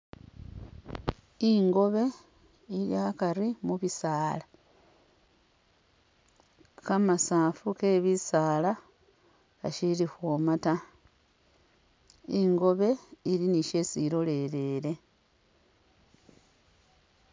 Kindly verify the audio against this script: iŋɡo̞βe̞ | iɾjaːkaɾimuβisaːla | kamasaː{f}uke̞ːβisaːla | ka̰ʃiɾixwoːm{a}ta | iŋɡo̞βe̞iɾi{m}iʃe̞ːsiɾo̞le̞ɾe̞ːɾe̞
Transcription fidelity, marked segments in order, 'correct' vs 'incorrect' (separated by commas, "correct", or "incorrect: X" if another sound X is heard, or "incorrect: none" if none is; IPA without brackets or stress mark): correct, correct, incorrect: n